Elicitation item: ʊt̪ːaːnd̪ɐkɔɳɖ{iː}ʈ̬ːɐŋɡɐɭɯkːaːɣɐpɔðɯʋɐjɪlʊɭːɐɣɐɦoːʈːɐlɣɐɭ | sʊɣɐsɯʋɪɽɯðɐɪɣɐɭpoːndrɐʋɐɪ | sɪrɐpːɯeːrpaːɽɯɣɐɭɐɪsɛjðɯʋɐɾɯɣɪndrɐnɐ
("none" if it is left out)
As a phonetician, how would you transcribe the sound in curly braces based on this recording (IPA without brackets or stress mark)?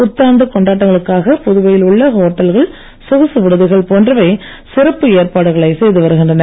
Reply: aː